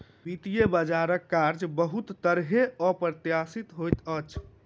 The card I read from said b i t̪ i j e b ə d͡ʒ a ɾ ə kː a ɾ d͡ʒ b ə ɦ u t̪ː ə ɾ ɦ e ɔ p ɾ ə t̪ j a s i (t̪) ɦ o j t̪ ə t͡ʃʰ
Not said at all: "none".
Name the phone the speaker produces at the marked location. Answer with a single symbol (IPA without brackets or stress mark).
t̪